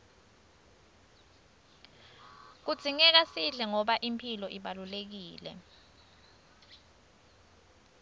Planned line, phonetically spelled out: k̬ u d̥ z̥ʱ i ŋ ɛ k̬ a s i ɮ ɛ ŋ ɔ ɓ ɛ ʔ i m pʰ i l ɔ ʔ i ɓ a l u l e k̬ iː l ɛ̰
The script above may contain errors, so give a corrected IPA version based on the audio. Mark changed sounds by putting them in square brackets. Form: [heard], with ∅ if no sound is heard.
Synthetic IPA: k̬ u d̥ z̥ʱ i ŋ ɛ k̬ a s i ɮ ɛ ŋ ɔ ɓ [a] ʔ i m pʰ i l ɔ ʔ i ɓ a l u l e k̬ iː l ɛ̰